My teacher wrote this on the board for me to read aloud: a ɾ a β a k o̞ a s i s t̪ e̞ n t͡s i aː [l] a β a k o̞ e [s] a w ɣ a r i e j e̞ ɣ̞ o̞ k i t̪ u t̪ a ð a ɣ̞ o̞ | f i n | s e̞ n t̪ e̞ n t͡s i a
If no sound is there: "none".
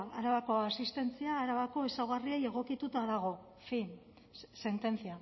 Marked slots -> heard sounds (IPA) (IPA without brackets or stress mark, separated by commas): ɾ, s